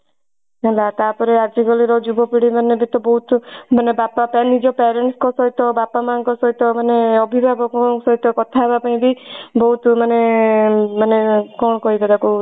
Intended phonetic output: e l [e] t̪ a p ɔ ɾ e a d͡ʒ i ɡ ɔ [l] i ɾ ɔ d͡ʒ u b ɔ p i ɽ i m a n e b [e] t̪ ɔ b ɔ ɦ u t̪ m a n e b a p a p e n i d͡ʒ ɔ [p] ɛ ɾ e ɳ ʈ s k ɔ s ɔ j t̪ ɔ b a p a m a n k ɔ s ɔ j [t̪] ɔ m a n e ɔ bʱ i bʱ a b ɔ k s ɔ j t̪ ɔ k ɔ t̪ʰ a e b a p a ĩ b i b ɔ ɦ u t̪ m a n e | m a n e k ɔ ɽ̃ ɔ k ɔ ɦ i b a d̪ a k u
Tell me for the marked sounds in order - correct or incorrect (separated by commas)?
incorrect, correct, incorrect, correct, correct